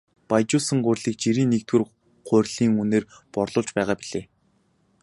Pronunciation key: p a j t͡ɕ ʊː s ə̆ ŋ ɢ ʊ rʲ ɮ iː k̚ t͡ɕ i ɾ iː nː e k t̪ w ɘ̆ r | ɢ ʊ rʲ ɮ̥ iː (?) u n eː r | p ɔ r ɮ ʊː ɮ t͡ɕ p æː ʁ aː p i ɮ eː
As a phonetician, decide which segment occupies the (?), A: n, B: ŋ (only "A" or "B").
B